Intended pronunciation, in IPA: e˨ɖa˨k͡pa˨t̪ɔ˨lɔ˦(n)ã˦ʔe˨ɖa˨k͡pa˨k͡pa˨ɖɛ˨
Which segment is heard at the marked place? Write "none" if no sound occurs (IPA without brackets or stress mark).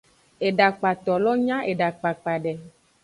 ɲ